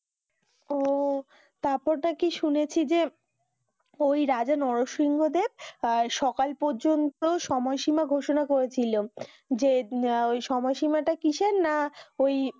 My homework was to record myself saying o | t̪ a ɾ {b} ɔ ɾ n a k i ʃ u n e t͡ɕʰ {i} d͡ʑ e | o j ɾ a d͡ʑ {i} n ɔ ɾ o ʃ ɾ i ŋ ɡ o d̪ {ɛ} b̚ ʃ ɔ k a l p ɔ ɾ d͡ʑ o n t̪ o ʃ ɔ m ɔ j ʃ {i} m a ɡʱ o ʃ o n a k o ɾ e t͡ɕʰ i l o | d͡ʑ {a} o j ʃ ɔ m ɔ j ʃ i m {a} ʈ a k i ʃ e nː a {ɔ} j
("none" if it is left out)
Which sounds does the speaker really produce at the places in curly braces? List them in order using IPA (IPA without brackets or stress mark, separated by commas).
p, i, a, e, i, e, a, o